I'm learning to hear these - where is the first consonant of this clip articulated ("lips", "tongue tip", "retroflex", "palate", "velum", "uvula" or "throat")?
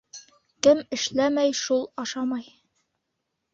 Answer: velum